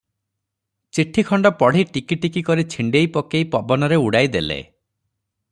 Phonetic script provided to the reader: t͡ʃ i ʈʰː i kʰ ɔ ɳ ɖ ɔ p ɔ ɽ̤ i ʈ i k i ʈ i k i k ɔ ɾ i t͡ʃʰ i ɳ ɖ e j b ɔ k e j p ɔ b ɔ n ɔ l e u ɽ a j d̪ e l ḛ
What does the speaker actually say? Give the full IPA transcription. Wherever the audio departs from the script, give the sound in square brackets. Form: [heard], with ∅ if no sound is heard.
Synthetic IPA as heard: t͡ʃ i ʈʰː i kʰ ɔ ɳ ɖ ɔ p ɔ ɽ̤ i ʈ i k i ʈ i k i k ɔ ɾ i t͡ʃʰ i ɳ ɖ e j [p] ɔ k e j p ɔ b ɔ n ɔ [ɾ] e u ɽ a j d̪ e l ḛ